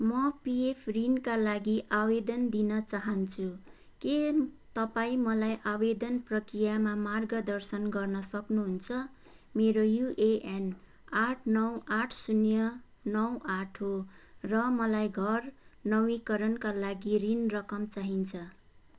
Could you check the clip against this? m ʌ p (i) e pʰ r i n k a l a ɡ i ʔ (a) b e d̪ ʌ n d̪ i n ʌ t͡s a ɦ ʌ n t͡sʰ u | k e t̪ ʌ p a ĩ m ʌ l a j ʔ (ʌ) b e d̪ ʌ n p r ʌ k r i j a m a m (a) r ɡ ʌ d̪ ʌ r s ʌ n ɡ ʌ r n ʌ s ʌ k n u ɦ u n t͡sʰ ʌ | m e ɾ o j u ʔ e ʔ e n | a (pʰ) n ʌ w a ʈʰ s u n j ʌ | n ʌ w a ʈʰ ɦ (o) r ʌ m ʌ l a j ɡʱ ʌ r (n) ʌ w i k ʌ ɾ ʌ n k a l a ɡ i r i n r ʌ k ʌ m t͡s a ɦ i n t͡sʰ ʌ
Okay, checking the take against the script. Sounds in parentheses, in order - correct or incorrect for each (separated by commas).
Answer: correct, correct, incorrect, correct, incorrect, correct, correct